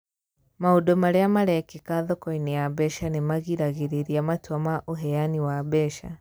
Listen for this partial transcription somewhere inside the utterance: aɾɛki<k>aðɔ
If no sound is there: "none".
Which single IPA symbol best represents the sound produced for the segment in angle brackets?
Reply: k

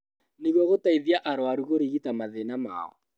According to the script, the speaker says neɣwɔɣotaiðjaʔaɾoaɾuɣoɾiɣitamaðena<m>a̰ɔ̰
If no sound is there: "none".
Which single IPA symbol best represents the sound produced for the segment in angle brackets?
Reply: m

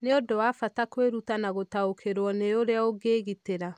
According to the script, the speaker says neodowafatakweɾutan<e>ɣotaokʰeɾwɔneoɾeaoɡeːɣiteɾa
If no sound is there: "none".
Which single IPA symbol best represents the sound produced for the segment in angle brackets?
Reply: a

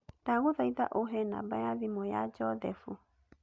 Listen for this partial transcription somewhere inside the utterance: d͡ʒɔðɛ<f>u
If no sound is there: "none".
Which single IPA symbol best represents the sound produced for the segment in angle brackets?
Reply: f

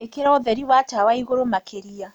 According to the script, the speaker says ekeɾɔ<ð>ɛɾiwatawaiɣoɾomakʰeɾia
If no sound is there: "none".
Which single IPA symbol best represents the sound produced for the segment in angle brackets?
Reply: ð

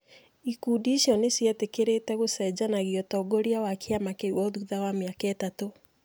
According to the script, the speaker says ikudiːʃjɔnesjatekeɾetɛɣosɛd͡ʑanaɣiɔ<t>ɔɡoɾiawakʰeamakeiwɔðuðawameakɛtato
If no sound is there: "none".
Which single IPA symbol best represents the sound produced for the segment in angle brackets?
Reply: t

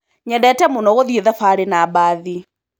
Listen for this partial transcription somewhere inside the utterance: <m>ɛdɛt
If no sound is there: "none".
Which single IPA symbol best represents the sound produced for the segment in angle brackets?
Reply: ɲ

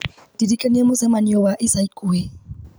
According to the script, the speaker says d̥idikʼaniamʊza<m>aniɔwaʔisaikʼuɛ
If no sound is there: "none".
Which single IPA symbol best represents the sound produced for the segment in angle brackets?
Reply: m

